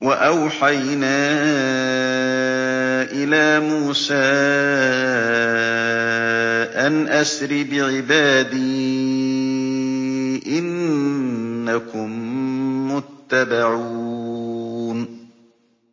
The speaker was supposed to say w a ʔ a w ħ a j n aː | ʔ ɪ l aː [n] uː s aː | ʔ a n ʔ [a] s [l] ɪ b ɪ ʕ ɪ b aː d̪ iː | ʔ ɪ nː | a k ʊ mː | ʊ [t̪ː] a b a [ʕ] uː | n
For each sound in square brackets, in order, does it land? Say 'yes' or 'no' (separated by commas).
no, yes, no, yes, yes